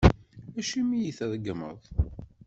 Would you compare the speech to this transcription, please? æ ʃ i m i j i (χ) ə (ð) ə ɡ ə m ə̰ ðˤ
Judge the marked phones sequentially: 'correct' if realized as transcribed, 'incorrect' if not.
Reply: incorrect: θ, correct

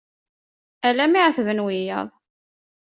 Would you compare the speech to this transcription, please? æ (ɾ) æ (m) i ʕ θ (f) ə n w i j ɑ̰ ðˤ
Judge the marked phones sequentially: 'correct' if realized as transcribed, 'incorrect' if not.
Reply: incorrect: l, correct, incorrect: v

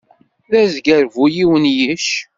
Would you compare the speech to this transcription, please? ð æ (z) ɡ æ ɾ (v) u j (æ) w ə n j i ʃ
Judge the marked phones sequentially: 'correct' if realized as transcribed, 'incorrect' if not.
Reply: correct, correct, incorrect: i

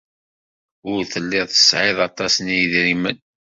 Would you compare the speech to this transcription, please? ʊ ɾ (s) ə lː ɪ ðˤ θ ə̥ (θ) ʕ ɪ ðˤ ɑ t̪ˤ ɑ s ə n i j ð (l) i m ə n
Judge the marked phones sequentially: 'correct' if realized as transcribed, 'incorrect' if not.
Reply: incorrect: θ, incorrect: s, incorrect: ɾ

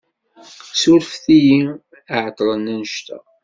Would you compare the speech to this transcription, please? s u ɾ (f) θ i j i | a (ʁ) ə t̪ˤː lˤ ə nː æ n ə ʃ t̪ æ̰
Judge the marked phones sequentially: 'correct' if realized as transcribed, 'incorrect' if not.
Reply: correct, incorrect: ʕ

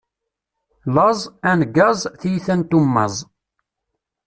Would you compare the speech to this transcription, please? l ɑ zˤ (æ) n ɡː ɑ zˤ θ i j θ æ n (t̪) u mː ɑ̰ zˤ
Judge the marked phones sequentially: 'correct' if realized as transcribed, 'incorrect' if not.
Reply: correct, correct

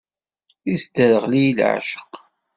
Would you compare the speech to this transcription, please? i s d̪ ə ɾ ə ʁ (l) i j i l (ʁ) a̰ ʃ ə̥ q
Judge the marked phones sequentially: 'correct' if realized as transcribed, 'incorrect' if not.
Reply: correct, incorrect: ʕ

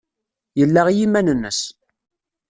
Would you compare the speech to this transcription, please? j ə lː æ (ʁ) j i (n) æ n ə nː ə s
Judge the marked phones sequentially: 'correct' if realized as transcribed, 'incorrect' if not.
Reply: correct, incorrect: m

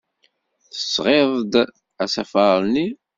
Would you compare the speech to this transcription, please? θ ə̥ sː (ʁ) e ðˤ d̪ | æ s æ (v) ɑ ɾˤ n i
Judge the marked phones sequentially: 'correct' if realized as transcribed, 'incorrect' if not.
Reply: correct, incorrect: f

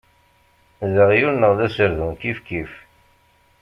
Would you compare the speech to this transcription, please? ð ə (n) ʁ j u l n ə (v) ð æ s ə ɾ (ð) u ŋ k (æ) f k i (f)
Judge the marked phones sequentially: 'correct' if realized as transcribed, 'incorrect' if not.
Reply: incorrect: none, incorrect: ʁ, correct, incorrect: i, correct

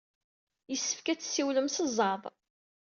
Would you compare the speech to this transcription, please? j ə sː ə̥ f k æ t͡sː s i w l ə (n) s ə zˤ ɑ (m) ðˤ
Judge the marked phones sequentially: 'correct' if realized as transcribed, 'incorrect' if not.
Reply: incorrect: m, incorrect: none

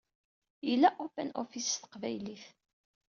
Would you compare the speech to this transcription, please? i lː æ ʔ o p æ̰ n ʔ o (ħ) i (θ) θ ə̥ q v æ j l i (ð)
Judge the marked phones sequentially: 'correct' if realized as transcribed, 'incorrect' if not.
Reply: incorrect: f, incorrect: s, incorrect: θ

